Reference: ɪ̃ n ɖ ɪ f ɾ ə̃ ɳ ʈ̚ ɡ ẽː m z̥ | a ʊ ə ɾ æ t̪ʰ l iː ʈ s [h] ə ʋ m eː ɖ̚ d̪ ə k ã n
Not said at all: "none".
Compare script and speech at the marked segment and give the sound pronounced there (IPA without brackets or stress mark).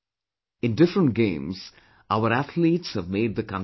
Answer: h